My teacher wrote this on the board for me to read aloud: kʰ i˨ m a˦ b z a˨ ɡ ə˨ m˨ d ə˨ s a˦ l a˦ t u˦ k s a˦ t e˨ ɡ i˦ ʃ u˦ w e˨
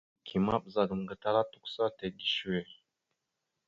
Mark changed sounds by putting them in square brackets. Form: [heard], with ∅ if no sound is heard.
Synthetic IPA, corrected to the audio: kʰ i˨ m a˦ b z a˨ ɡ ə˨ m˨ [ɡ] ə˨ [t] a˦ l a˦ t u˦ k s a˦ t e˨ ɡ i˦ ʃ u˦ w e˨